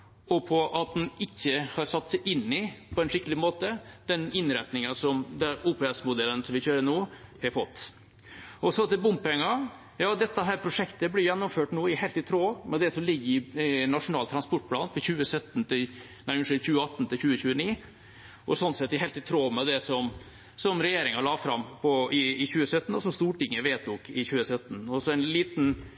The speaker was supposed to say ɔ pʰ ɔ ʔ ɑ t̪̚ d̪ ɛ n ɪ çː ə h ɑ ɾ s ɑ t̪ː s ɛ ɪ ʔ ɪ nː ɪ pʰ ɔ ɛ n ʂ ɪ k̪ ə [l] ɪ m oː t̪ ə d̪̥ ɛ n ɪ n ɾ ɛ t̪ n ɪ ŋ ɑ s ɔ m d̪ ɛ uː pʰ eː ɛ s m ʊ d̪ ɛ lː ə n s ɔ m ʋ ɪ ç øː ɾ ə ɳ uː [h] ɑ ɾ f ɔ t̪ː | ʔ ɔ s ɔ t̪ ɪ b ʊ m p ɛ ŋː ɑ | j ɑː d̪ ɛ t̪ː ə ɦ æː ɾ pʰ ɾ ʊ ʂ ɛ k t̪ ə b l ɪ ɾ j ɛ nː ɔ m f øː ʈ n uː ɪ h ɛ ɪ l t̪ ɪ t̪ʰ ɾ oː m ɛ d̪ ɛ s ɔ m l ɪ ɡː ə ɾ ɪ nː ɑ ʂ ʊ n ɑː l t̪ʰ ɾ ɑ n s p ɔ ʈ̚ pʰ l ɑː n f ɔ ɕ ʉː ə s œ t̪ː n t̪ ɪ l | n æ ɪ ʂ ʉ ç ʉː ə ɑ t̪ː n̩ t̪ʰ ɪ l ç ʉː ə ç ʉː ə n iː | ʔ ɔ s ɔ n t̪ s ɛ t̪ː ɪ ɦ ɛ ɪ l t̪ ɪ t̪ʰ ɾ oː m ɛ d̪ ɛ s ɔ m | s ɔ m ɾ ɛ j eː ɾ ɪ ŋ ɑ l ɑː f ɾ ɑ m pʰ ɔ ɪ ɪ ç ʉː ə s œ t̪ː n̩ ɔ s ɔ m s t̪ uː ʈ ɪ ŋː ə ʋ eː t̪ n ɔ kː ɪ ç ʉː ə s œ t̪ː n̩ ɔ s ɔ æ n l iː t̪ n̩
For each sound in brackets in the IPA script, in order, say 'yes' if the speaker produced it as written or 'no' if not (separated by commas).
yes, yes